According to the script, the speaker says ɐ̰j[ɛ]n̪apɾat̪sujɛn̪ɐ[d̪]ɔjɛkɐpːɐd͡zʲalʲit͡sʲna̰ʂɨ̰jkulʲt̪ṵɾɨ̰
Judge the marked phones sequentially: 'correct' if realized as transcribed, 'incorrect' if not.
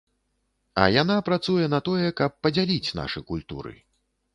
incorrect: a, incorrect: t̪

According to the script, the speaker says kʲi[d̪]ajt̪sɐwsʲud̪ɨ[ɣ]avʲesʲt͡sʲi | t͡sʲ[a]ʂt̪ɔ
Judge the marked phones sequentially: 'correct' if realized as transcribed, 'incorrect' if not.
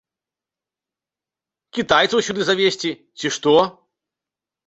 incorrect: t̪, incorrect: z, incorrect: i

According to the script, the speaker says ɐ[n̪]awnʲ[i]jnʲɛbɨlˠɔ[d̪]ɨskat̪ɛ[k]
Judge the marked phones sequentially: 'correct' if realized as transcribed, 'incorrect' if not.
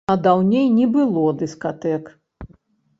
incorrect: d̪, incorrect: e, correct, correct

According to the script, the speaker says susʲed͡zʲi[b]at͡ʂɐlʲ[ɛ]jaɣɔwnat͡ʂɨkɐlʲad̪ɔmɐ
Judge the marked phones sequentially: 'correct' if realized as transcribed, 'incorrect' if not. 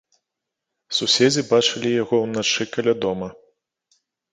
correct, incorrect: i

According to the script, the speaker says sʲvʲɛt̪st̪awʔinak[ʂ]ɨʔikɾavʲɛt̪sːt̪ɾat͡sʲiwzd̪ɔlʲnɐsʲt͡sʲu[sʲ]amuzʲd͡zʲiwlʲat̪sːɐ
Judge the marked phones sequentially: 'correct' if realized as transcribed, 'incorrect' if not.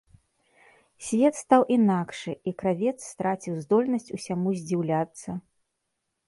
correct, correct

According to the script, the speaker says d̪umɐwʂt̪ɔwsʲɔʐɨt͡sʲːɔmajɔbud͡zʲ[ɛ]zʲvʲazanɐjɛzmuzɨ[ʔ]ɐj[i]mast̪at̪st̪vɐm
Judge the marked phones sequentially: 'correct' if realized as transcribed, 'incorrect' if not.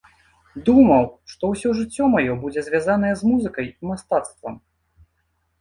correct, incorrect: k, correct

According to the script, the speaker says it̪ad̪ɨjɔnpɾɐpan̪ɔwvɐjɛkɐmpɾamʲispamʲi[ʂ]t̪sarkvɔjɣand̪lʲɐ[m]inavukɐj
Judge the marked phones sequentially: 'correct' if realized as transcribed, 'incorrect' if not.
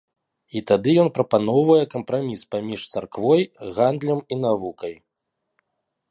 correct, correct

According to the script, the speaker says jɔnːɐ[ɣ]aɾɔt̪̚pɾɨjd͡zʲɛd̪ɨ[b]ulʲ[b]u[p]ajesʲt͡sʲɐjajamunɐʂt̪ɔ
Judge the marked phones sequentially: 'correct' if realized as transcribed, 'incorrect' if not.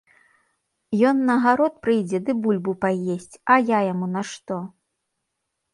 correct, correct, correct, correct

